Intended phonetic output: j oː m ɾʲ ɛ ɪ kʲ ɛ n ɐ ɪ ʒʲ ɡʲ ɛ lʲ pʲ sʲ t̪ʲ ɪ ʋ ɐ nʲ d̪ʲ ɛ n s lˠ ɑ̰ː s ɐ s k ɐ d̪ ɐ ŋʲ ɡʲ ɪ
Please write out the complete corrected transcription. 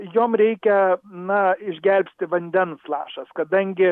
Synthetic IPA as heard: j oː m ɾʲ ɛ ɪ kʲ ɛ n ɐ ɪ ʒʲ ɡʲ ɛ lʲ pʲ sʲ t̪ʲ ɪ ʋ ɐ nʲ d̪ʲ ɛ n s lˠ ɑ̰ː ʃ ɐ s k ɐ d̪ ɐ ŋʲ ɡʲ ɪ